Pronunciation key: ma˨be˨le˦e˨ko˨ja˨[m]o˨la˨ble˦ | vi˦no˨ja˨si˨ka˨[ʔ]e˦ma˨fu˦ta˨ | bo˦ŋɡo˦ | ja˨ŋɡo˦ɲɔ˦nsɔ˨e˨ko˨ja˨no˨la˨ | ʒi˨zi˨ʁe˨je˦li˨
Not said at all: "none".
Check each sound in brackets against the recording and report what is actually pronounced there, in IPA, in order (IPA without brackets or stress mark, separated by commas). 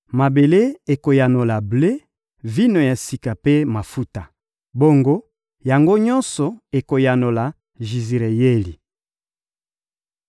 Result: n, p